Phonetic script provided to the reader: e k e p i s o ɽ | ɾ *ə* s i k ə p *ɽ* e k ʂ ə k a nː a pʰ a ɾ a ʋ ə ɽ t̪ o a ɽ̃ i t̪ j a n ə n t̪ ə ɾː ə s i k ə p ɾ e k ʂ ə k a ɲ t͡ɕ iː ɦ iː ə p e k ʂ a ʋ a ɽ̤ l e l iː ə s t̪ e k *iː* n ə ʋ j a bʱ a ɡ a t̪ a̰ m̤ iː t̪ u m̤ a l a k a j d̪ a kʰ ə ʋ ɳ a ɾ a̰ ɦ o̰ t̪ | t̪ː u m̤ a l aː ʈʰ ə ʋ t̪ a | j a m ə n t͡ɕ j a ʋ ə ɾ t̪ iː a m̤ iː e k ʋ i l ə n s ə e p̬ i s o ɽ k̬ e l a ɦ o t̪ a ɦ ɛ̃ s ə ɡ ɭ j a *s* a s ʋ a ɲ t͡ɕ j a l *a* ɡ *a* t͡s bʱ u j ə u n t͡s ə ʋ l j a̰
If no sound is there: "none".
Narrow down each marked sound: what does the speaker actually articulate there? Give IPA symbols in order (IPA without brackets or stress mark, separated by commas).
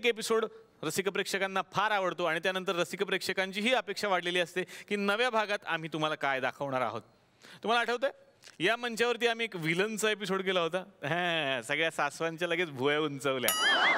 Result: ə, ɾ, iː, s, ə, e